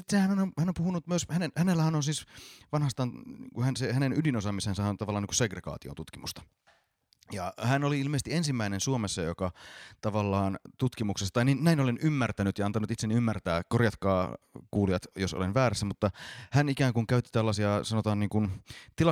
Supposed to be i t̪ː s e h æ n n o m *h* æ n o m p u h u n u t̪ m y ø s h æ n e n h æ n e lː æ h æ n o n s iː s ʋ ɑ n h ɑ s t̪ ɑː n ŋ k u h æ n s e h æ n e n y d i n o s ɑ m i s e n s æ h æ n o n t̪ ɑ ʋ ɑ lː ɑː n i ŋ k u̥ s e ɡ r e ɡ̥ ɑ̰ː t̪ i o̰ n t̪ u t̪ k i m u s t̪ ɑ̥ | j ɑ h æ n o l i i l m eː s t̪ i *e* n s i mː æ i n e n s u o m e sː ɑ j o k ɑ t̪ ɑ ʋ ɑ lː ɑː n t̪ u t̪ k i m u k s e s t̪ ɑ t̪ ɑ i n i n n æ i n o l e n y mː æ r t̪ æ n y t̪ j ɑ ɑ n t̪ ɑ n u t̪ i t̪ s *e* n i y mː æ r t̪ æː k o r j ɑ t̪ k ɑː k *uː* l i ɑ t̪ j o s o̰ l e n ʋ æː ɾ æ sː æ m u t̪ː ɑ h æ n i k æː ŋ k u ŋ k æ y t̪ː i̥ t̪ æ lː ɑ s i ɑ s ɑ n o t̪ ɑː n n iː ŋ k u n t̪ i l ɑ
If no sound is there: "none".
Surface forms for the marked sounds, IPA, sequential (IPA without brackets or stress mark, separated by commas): h, e, e, uː